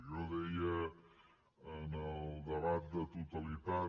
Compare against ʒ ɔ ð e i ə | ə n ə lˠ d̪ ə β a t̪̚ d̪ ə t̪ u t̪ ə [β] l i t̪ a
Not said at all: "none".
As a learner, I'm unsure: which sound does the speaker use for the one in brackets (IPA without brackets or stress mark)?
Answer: none